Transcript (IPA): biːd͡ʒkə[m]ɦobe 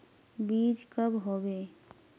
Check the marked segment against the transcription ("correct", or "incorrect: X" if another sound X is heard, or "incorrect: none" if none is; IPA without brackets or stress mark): incorrect: b